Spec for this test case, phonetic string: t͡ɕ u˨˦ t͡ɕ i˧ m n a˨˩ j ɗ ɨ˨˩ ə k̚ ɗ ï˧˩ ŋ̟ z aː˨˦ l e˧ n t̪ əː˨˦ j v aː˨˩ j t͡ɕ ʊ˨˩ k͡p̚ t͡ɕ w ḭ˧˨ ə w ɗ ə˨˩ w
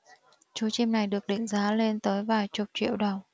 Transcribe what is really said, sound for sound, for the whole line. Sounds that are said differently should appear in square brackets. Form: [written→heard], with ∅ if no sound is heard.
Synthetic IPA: t͡ɕ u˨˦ t͡ɕ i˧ m n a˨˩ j ɗ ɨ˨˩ ə k̚ ɗ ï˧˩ ŋ̟ z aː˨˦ l e˧ n t̪ əː˨˦ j v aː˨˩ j t͡ɕ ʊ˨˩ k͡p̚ t͡ɕ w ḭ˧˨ ə w ɗ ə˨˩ w

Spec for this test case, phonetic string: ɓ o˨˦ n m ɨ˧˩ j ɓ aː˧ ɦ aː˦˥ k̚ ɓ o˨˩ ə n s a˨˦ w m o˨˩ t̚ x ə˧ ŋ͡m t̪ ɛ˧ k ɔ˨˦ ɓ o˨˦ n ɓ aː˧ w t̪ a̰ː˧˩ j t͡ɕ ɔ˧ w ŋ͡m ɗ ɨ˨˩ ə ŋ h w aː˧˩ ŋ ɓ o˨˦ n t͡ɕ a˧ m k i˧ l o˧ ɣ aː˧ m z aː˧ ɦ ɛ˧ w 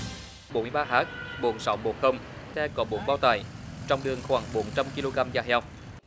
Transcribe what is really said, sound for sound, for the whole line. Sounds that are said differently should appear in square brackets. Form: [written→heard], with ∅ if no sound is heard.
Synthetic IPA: ɓ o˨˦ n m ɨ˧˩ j ɓ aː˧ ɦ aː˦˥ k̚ ɓ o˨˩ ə n s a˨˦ w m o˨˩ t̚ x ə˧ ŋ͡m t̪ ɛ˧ k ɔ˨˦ ɓ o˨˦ n ɓ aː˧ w t̪ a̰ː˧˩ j t͡ɕ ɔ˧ w ŋ͡m ɗ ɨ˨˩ ə ŋ [h→x] w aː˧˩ ŋ ɓ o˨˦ n t͡ɕ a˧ m k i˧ l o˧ ɣ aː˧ m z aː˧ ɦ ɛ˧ w

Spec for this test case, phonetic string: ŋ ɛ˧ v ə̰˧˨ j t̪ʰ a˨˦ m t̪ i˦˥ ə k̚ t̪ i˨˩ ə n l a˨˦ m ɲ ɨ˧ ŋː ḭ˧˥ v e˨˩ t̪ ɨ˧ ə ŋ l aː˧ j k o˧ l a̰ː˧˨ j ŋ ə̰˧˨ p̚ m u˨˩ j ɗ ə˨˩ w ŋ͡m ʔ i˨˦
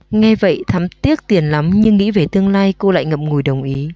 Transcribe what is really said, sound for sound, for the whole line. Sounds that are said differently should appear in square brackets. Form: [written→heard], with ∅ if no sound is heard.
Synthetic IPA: ŋ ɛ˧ v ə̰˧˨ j t̪ʰ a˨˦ m t̪ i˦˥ ə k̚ t̪ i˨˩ ə n l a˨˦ m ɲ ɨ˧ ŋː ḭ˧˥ v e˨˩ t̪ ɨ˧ ə ŋ l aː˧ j k o˧ l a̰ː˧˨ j ŋ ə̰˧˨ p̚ [m→ŋ] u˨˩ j ɗ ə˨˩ w ŋ͡m ʔ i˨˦

